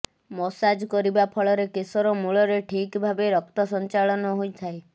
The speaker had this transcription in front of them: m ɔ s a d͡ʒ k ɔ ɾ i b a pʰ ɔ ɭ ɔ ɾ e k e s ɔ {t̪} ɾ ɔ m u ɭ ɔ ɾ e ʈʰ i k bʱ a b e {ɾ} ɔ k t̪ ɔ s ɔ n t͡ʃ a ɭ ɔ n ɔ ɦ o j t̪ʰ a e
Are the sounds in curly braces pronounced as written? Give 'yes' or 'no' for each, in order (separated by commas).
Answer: no, yes